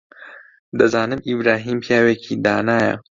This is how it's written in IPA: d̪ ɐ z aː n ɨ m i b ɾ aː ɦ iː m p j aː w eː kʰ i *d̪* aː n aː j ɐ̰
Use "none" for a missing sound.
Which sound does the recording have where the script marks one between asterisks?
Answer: d̪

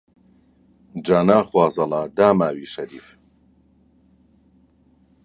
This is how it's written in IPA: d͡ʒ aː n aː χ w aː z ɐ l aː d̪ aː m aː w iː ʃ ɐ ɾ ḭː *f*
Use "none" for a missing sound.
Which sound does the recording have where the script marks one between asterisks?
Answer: f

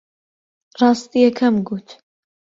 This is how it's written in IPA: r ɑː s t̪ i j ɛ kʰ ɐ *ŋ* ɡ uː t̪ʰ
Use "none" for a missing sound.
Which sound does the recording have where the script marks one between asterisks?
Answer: m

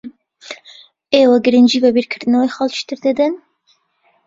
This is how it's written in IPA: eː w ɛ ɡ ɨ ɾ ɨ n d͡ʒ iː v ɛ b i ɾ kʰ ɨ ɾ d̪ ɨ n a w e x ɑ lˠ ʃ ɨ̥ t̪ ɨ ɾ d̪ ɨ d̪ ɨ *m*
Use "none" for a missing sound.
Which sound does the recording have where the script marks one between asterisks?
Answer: n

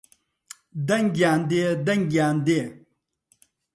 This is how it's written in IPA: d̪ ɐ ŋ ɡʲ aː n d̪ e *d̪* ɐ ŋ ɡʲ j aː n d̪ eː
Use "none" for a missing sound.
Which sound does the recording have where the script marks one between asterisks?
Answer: d̪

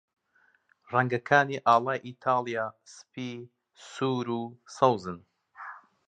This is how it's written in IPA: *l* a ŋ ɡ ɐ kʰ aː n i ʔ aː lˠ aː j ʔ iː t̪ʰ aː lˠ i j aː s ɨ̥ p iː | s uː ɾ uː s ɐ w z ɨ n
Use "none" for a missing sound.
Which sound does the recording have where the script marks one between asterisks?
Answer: r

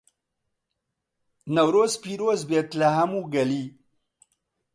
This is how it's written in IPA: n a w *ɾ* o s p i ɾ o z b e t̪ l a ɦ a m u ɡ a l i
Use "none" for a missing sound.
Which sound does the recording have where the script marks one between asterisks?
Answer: ɾ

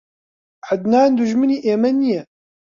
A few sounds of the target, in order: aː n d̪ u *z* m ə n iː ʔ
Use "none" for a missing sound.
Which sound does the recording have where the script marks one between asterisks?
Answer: ʒ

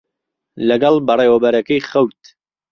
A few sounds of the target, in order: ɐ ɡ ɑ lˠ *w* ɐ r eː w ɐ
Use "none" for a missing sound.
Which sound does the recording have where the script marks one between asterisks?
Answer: b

